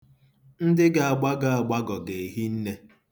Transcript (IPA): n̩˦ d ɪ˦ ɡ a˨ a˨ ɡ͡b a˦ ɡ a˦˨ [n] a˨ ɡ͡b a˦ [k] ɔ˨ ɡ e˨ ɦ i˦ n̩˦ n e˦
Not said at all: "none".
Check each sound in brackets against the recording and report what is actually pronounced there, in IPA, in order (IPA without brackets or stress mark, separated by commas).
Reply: none, ɡ